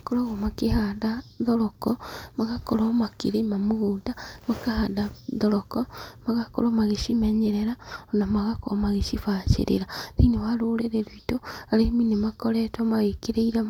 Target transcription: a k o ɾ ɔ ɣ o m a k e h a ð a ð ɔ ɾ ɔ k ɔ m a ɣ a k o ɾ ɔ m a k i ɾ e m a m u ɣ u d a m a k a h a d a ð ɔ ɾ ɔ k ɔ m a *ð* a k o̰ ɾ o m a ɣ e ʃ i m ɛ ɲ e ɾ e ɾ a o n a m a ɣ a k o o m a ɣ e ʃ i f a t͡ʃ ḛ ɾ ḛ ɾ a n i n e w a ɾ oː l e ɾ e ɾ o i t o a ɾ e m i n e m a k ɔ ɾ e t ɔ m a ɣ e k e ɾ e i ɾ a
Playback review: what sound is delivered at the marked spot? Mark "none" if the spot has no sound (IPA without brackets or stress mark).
ɣ